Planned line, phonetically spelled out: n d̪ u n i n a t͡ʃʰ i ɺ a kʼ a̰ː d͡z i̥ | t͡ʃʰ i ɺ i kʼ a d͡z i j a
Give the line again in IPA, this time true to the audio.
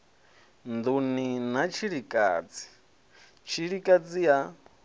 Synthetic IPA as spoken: n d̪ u n i n a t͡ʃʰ i ɺ i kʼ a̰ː d͡z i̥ | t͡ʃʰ i ɺ i kʼ a d͡z i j a